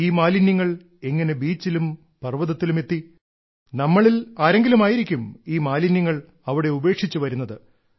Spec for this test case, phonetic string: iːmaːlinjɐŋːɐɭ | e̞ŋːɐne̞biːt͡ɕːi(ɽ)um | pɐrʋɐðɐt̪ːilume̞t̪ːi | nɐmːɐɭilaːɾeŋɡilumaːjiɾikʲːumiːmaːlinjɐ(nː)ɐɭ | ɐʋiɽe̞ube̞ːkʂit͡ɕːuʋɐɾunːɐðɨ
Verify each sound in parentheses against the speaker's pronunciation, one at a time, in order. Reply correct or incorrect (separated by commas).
incorrect, incorrect